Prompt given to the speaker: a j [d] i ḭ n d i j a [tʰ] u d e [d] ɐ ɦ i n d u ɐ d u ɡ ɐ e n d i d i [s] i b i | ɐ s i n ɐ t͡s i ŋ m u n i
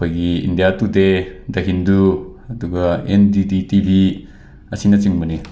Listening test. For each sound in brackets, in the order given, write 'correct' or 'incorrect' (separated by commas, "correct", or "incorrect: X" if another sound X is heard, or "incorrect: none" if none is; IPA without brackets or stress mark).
incorrect: ɡ, incorrect: t, correct, incorrect: t